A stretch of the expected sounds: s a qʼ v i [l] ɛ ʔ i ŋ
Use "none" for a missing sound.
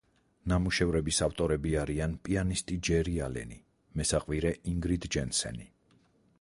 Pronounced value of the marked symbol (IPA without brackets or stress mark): ɾ